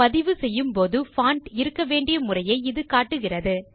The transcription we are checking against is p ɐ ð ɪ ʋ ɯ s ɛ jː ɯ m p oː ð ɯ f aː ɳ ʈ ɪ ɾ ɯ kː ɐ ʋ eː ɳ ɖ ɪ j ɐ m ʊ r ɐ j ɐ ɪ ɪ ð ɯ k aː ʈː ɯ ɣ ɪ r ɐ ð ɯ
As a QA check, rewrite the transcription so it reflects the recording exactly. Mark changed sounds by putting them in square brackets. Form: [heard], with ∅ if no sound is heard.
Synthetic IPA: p ɐ ð ɪ ʋ ɯ s ɛ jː ɯ m p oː ð ɯ f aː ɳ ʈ ɪ ɾ ɯ kː ɐ ʋ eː ɳ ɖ ɪ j ɐ m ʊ r ɐ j ɐ ɪ ɪ ð ɯ k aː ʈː ɯ ɣ ɪ r ɐ ð ɯ